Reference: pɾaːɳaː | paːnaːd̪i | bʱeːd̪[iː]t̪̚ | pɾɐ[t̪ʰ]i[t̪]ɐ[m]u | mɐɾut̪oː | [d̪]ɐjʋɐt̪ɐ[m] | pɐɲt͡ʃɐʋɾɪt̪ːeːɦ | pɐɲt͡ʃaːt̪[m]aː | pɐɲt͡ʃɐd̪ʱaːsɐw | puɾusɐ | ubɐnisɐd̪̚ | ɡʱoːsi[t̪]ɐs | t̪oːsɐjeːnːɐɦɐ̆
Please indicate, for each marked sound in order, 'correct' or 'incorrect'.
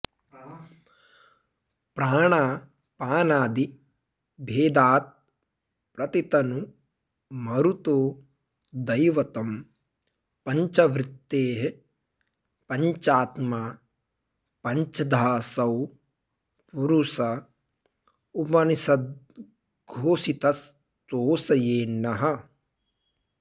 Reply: incorrect, incorrect, correct, incorrect, correct, correct, correct, correct

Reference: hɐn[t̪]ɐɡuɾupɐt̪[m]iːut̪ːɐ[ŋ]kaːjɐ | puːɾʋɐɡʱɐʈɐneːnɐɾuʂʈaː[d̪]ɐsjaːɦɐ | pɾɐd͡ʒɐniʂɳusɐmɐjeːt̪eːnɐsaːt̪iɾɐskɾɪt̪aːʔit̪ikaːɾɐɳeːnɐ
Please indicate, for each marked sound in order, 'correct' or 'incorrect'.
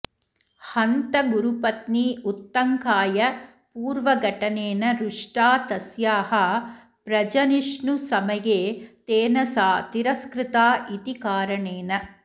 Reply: correct, incorrect, correct, incorrect

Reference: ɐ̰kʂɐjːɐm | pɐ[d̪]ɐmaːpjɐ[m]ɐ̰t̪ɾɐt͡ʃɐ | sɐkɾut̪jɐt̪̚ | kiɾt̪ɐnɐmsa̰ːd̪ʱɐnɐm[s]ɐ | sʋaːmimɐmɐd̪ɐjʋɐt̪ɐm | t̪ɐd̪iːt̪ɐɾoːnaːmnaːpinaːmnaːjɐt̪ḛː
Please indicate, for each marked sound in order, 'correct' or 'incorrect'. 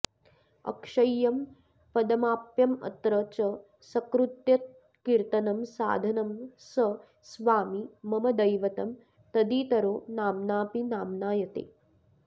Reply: correct, correct, correct

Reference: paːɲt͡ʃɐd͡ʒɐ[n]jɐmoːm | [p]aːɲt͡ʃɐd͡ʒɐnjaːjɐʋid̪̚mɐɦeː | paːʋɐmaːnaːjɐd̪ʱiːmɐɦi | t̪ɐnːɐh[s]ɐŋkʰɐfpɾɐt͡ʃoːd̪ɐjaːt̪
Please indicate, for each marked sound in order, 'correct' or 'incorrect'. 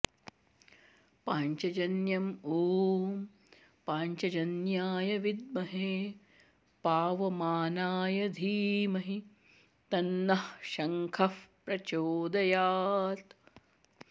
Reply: correct, correct, incorrect

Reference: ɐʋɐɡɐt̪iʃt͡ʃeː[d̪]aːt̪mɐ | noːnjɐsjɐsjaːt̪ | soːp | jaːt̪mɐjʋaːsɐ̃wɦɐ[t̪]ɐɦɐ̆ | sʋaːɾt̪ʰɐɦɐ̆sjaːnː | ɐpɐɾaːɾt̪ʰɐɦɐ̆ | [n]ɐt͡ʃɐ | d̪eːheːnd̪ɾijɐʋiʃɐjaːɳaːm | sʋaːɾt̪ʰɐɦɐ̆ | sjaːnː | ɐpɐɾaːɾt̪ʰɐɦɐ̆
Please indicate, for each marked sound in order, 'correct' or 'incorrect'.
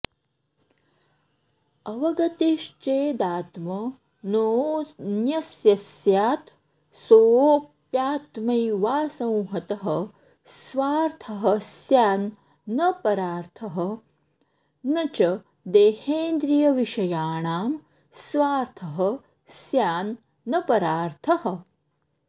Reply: correct, correct, correct

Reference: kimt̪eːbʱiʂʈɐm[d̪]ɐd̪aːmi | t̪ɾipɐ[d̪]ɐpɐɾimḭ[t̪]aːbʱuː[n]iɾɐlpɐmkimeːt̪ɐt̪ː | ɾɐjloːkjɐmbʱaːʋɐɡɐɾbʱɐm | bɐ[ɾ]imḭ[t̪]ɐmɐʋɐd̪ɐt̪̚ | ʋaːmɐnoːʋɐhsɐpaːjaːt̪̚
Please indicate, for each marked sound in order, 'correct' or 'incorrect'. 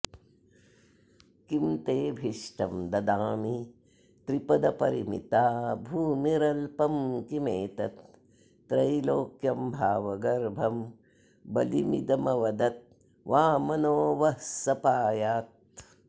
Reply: correct, correct, correct, incorrect, incorrect, incorrect

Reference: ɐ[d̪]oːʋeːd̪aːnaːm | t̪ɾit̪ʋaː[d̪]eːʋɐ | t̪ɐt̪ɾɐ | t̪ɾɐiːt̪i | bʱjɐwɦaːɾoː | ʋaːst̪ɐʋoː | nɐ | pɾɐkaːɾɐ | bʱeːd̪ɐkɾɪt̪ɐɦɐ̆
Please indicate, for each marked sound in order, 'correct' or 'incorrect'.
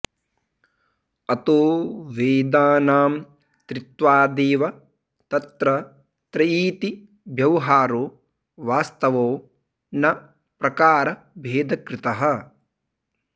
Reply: incorrect, correct

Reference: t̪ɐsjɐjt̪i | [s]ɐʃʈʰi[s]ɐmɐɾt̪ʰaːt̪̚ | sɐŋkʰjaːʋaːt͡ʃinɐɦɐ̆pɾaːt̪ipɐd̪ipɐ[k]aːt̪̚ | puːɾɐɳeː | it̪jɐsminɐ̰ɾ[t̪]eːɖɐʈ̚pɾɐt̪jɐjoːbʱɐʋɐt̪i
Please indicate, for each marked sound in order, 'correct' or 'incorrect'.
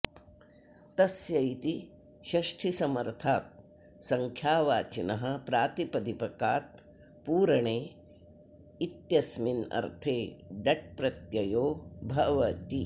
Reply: incorrect, correct, correct, incorrect

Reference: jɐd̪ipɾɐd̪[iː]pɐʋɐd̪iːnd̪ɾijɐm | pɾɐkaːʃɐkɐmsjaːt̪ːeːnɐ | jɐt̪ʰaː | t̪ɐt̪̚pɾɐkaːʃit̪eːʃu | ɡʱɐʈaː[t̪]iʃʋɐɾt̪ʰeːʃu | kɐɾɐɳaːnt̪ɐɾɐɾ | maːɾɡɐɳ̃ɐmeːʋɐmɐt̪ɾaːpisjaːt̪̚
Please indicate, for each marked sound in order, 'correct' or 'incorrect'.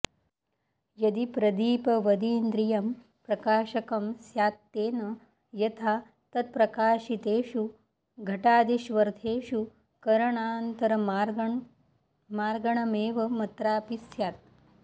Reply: correct, incorrect

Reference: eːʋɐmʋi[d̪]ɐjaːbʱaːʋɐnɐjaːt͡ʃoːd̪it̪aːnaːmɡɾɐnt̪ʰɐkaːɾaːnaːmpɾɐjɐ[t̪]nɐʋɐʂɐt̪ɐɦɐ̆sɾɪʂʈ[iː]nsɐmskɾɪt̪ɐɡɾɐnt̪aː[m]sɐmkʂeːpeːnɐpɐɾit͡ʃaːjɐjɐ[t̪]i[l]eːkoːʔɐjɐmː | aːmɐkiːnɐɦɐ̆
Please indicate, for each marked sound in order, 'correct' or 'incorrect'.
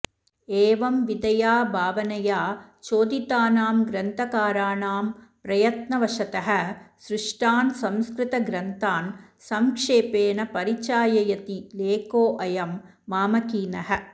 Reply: correct, correct, incorrect, incorrect, correct, correct

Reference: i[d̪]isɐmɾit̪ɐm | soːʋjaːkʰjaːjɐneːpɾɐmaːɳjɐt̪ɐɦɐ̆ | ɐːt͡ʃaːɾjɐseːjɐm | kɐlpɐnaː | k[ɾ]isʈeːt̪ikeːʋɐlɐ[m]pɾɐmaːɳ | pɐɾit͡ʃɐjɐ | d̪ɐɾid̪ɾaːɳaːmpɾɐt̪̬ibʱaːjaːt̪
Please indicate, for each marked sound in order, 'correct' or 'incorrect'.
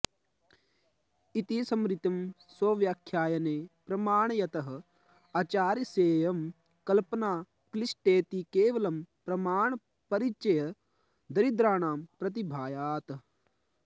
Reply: incorrect, incorrect, correct

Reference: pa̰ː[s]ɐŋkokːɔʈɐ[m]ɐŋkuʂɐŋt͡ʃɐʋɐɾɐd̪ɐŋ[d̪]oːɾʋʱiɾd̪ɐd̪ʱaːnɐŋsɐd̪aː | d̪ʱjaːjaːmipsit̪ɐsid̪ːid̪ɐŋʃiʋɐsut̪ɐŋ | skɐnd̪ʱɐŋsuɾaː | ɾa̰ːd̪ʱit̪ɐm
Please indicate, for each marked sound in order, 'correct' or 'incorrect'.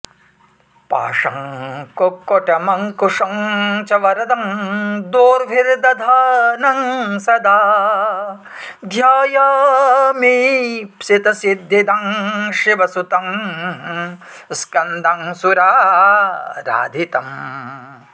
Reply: incorrect, correct, correct

